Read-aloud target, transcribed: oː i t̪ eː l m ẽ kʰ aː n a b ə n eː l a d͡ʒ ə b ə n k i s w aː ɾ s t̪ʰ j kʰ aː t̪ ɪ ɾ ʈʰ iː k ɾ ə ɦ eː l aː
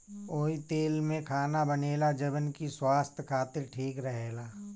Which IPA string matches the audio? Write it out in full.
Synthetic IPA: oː i t̪ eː l m ẽ kʰ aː n a b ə n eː l a d͡ʒ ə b ə n k i s w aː s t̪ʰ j kʰ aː t̪ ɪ ɾ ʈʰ iː k ɾ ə ɦ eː l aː